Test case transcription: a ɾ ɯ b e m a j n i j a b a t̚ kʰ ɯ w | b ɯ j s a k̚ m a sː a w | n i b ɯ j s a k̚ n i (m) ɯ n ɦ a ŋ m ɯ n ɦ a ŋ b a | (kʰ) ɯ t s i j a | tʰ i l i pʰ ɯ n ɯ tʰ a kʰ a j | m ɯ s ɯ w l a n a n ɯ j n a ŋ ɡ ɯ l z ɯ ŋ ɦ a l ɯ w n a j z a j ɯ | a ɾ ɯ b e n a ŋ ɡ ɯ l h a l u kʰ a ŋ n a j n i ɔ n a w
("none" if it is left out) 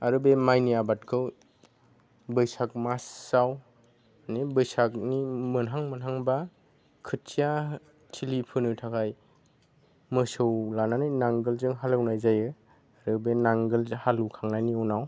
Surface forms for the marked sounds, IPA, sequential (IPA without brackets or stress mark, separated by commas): m, kʰ